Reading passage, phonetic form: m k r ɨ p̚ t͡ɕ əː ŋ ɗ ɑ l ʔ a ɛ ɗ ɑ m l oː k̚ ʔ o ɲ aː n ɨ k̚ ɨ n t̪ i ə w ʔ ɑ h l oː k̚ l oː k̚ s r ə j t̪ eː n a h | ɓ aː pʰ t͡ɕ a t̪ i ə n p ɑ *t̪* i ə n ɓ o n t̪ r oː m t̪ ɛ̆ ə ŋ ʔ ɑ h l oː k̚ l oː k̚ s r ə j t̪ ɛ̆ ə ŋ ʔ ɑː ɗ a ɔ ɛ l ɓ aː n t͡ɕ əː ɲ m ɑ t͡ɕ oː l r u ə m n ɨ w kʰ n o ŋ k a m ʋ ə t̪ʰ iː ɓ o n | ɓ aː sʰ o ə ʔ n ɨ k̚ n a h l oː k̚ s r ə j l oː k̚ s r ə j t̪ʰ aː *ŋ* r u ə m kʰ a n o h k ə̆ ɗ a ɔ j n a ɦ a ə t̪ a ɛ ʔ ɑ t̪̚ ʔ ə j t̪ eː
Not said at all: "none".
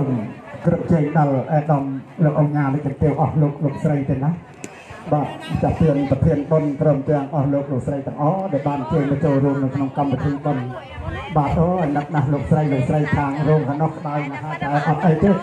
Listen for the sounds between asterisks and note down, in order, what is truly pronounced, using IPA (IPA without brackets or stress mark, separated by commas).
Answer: t̪ʰ, ŋ